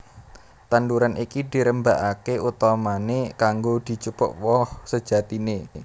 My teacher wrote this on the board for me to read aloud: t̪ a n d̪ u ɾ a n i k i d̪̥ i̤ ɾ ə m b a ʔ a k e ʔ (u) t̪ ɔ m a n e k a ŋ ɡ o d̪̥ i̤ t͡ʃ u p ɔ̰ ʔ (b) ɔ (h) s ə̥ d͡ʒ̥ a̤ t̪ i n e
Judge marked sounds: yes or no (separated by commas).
yes, no, yes